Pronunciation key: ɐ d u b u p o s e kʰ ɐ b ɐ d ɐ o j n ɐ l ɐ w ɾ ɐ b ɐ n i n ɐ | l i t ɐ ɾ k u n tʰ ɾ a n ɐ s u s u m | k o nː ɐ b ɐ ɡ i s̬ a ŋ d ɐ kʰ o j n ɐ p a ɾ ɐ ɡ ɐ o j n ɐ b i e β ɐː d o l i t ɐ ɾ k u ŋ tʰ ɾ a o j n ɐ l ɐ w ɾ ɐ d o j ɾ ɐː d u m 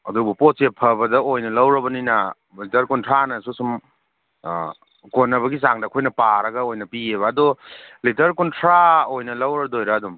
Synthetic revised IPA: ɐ d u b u p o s e pʰ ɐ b ɐ d ɐ o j n ɐ l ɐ w ɾ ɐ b ɐ n i n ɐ | l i t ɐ ɾ k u n tʰ ɾ a n ɐ s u s u m | k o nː ɐ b ɐ ɡ i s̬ a ŋ d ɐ kʰ o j n ɐ p a ɾ ɐ ɡ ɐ o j n ɐ p i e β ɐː d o l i t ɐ ɾ k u n tʰ ɾ a o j n ɐ l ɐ w ɾ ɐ d o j ɾ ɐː d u m